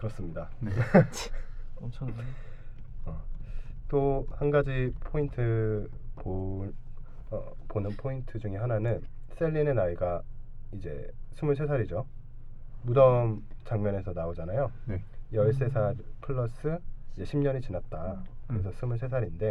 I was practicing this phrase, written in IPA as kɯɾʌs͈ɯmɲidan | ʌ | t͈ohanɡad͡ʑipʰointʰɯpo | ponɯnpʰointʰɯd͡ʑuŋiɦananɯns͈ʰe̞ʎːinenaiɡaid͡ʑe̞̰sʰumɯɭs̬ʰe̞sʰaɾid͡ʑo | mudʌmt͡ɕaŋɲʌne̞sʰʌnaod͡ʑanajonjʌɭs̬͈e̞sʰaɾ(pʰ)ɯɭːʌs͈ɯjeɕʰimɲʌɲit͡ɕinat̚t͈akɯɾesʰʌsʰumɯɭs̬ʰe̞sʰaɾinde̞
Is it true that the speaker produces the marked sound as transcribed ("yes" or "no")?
yes